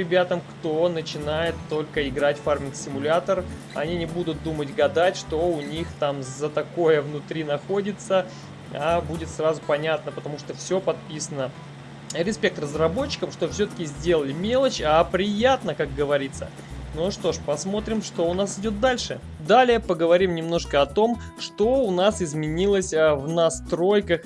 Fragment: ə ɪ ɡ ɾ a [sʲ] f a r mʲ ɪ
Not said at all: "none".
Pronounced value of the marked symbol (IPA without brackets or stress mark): tʲ